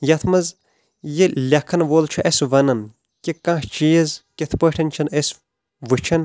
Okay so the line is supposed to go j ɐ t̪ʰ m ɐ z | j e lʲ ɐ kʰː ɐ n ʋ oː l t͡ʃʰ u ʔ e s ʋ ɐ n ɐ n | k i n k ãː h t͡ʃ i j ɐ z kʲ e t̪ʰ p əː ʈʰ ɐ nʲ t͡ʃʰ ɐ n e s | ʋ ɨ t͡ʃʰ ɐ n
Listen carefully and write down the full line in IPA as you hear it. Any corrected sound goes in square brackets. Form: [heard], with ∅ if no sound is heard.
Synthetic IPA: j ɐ t̪ʰ m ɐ z | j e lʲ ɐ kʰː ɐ n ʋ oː l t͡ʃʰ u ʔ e s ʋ ɐ n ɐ n | k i [∅] k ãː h t͡ʃ i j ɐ z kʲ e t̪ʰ p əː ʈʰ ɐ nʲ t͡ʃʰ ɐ n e s | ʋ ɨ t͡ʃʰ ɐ n